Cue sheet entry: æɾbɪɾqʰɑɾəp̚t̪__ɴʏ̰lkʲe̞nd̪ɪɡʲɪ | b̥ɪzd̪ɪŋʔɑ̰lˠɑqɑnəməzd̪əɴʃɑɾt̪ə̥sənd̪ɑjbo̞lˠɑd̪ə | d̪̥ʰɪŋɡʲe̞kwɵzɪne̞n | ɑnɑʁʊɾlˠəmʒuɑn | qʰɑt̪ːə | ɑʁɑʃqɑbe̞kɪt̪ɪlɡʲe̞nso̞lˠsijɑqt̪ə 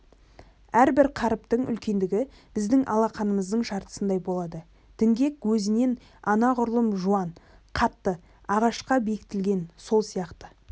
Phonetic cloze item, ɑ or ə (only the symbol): ə